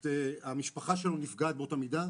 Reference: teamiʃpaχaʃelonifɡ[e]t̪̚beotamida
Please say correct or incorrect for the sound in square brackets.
incorrect